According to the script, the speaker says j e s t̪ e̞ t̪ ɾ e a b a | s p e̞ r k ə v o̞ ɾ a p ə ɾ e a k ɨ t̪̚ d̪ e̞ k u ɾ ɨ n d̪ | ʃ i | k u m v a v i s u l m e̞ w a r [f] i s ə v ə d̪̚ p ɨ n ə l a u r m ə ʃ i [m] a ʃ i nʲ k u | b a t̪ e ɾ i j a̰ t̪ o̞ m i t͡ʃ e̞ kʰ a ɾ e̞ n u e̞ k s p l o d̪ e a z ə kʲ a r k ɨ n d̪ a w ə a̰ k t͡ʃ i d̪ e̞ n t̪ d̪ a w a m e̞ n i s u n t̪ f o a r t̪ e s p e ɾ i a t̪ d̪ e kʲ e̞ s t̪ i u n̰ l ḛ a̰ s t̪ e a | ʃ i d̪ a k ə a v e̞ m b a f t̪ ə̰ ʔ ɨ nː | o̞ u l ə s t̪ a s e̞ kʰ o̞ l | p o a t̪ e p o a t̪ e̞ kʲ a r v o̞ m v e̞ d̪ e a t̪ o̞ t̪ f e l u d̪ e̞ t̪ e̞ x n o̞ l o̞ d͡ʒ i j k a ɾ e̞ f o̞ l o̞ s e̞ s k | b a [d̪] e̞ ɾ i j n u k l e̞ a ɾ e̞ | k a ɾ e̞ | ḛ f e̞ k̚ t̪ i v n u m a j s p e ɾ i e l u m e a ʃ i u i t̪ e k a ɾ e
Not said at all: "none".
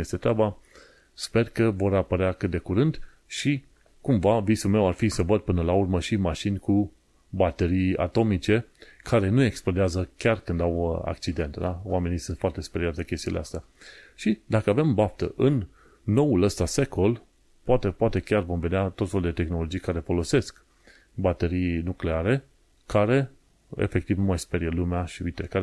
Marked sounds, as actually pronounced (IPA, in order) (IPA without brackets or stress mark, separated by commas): f, m, t̪